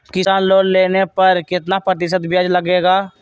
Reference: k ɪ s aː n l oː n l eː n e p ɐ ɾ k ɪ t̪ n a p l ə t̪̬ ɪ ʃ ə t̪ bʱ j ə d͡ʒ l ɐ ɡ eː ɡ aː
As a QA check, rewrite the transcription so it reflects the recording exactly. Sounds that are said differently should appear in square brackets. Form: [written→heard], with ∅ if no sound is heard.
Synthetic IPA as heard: k ɪ s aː n l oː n l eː n e p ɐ ɾ k ɪ t̪ n a p [l→ɾ] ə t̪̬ ɪ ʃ ə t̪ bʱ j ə d͡ʒ l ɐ ɡ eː ɡ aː